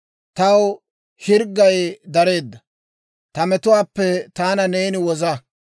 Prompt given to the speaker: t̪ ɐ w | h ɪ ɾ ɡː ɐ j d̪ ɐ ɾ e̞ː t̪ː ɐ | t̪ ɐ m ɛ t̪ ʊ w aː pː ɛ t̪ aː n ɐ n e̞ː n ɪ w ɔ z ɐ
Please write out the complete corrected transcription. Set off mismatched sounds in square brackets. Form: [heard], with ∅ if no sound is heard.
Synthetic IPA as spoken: t̪ ɐ w | h ɪ ɾ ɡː ɐ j d̪ ɐ ɾ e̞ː [d̪ː] ɐ | t̪ ɐ m ɛ t̪ ʊ w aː pː ɛ t̪ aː n ɐ n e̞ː n ɪ w ɔ z ɐ

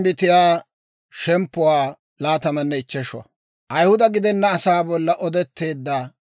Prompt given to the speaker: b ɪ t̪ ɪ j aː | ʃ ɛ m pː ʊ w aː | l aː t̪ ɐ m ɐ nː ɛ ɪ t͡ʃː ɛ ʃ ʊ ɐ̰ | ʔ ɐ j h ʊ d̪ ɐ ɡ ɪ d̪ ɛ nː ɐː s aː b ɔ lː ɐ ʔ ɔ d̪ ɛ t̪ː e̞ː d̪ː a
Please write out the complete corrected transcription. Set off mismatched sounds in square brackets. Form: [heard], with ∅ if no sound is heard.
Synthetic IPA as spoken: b ɪ t̪ ɪ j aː | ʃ ɛ m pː ʊ w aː | l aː t̪ ɐ m ɐ nː ɛ ɪ t͡ʃː ɛ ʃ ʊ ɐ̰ | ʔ ɐ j h ʊ d̪ ɐ ɡ ɪ d̪ ɛ nː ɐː s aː b ɔ lː ɐ ʔ ɔ d̪ ɛ t̪ː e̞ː d̪ː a

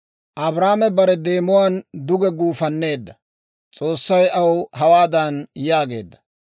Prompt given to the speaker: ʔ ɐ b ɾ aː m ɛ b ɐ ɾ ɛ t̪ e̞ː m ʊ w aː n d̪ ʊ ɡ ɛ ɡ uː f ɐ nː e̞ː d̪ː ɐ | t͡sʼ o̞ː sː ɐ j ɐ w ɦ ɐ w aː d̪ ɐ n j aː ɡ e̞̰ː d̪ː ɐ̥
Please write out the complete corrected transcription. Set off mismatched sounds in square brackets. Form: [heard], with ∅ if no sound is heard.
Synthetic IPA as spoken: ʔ ɐ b ɾ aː m ɛ b ɐ ɾ ɛ [d̪] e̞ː m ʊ w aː n d̪ ʊ ɡ ɛ ɡ uː f ɐ nː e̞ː d̪ː ɐ | t͡sʼ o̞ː sː ɐ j ɐ w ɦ ɐ w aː d̪ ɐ n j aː ɡ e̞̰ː d̪ː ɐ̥

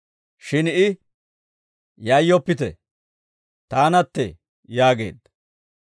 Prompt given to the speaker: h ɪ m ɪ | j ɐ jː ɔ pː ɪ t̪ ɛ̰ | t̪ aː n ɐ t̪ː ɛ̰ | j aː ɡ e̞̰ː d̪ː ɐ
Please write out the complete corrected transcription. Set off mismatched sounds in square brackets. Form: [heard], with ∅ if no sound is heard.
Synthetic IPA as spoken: [ʃ] ɪ [n] ɪ | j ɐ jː ɔ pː ɪ t̪ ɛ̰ | t̪ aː n ɐ t̪ː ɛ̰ | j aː ɡ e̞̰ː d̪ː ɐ

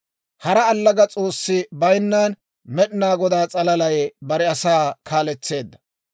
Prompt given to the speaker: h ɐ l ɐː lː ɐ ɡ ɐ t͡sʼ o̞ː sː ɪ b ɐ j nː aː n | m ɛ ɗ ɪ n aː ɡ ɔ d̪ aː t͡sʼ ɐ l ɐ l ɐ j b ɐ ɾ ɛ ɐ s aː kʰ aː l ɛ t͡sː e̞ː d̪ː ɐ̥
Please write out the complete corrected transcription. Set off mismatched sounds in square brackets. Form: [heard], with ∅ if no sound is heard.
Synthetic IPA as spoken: h ɐ [ɾ] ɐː lː ɐ ɡ ɐ t͡sʼ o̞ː sː ɪ b ɐ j nː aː n | m ɛ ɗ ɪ n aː ɡ ɔ d̪ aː t͡sʼ ɐ l ɐ l ɐ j b ɐ ɾ ɛ ɐ s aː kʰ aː l ɛ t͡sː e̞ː d̪ː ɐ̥

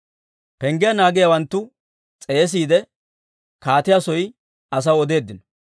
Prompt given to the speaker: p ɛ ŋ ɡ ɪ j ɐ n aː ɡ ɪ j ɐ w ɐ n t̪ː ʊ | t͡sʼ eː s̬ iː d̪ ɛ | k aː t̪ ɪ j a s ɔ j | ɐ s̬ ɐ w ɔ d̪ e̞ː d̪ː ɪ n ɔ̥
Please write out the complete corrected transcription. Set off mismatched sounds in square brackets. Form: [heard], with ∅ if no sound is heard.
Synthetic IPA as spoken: p ɛ ŋ ɡ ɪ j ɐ n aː ɡ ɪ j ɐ w ɐ n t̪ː ʊ | t͡sʼ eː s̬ iː d̪ ɛ | k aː t̪ ɪ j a s ɔ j | ɐ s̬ ɐ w ɔ d̪ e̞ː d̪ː ɪ n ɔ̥

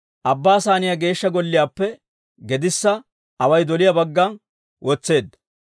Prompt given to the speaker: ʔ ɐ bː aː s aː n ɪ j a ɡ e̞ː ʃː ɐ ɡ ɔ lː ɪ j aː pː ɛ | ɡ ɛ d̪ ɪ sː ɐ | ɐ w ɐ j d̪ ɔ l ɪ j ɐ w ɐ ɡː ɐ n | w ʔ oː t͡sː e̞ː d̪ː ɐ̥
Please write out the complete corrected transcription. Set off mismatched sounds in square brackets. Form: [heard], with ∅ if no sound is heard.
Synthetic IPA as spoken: ʔ ɐ bː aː s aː n ɪ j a ɡ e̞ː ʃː ɐ ɡ ɔ lː ɪ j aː pː ɛ | ɡ ɛ d̪ ɪ sː ɐ | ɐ w ɐ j d̪ ɔ l ɪ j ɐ [b] ɐ ɡː ɐ n | w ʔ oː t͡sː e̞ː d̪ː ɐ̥

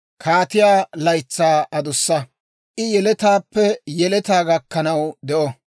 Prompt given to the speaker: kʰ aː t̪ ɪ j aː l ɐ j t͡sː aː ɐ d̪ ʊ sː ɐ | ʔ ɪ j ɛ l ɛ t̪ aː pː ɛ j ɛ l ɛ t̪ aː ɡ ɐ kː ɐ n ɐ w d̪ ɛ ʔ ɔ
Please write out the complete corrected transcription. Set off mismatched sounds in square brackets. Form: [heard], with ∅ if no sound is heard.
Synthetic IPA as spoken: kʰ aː t̪ ɪ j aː l ɐ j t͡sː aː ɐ d̪ ʊ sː ɐ | ʔ ɪ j ɛ l ɛ t̪ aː pː ɛ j ɛ l ɛ t̪ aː ɡ ɐ kː ɐ n ɐ w d̪ ɛ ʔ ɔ

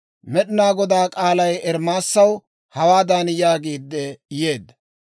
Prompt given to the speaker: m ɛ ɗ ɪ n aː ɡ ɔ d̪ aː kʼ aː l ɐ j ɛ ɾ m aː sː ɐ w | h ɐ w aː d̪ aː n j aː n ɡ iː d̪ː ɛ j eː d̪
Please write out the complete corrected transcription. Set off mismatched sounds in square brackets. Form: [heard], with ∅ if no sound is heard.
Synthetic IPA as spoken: m ɛ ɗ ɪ n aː ɡ ɔ d̪ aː kʼ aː l ɐ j ɛ ɾ m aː sː ɐ w | h ɐ w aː d̪ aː n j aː [∅] ɡ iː d̪ː ɛ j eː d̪

